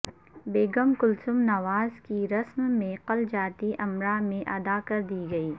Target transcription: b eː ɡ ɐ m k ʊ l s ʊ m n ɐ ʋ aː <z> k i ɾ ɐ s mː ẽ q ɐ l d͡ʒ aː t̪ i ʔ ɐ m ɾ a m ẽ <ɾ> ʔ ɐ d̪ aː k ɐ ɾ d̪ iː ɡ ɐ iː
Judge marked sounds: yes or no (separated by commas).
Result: yes, no